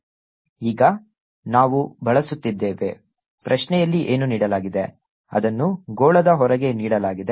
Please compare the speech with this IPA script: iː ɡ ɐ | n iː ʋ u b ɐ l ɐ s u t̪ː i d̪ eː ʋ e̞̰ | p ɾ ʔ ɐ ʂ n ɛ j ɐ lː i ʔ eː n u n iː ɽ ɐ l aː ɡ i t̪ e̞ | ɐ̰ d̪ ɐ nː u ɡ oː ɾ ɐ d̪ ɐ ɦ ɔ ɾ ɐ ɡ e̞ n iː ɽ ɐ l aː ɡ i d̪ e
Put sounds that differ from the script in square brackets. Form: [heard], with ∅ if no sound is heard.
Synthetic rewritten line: iː ɡ ɐ | n [aː] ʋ u b ɐ [ɭ] ɐ s u t̪ː i [d̪ː] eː ʋ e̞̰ | p ɾ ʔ ɐ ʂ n ɛ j ɐ lː i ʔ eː n u n iː ɽ ɐ l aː ɡ i [d̪] e̞ | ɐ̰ d̪ ɐ nː u ɡ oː [ɭ] ɐ d̪ ɐ ɦ ɔ ɾ ɐ ɡ e̞ n iː ɽ ɐ l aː ɡ i d̪ e

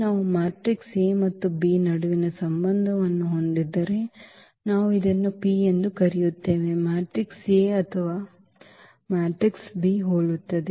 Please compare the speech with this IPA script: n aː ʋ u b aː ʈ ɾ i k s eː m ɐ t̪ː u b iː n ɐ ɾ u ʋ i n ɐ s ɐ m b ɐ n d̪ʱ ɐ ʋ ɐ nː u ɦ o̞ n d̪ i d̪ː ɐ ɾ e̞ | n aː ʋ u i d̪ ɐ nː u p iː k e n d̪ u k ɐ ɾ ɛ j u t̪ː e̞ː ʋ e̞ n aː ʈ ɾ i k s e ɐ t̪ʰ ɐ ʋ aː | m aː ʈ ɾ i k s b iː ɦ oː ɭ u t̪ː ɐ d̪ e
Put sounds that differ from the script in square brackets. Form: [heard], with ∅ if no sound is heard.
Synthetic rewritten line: n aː ʋ u [m] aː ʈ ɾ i k s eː m ɐ t̪ː u b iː n ɐ [ɽ] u ʋ i n ɐ s ɐ m b ɐ n d̪ʱ ɐ ʋ ɐ nː u ɦ o̞ n d̪ i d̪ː ɐ ɾ e̞ | n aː ʋ u i d̪ ɐ nː u p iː [∅] e n d̪ u k ɐ ɾ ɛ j u t̪ː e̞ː ʋ e̞ [m] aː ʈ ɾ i k s e ɐ t̪ʰ ɐ ʋ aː | m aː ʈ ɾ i k s b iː ɦ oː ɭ u t̪ː ɐ d̪ e

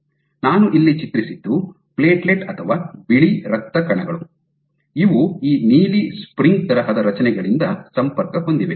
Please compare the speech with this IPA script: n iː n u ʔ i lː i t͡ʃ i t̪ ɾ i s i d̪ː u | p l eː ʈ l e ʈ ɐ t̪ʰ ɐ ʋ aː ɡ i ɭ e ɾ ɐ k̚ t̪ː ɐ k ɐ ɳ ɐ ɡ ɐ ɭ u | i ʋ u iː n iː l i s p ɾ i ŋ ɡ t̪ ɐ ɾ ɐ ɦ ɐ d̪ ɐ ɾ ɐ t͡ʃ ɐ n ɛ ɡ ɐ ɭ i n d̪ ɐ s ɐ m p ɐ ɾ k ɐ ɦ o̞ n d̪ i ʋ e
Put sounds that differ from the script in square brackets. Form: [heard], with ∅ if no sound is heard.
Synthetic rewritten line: n [aː] n u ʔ i lː i t͡ʃ i t̪ ɾ i s i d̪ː u | p l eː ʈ l e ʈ ɐ t̪ʰ ɐ ʋ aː [b] i ɭ [i] ɾ ɐ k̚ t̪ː ɐ k ɐ ɳ ɐ ɡ ɐ ɭ u | i ʋ u iː n iː l i s p ɾ i ŋ ɡ t̪ ɐ ɾ ɐ ɦ ɐ d̪ ɐ ɾ ɐ t͡ʃ ɐ n ɛ ɡ ɐ ɭ i n d̪ ɐ s ɐ m p ɐ ɾ k ɐ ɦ o̞ n d̪ i ʋ e

